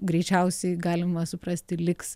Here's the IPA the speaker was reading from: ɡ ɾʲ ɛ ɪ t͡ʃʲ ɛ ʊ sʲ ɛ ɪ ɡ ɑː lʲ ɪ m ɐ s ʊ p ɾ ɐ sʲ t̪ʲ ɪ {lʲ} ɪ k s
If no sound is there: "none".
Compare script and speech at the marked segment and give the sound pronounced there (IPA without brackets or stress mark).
lʲ